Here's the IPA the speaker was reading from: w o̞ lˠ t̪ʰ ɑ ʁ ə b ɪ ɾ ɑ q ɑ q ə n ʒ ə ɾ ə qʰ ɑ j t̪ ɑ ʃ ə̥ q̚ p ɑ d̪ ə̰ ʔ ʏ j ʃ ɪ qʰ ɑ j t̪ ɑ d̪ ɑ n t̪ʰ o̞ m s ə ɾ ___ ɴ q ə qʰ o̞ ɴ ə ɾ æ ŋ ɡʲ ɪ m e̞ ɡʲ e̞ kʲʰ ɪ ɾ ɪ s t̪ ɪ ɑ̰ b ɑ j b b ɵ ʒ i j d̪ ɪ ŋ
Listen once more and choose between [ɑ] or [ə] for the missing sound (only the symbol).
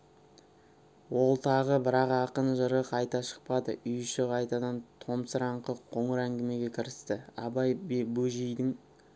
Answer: ɑ